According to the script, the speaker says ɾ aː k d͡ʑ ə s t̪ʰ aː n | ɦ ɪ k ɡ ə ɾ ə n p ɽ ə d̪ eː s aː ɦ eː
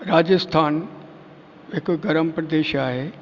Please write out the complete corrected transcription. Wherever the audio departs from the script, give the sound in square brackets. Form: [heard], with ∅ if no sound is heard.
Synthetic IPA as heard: ɾ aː [∅] d͡ʑ ə s t̪ʰ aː n | ɦ ɪ k ɡ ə ɾ ə [m] p [ɾ] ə d̪ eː [ʃ] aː ɦ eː